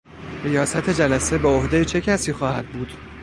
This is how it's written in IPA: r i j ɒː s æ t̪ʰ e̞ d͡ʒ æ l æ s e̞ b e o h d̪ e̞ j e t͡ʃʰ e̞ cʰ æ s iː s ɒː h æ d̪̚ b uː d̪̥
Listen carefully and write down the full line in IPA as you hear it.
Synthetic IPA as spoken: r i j ɒː s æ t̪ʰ e̞ d͡ʒ æ l æ s e̞ b e o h d̪ e̞ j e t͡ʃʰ e̞ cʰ æ s iː x ɒː h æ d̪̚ b uː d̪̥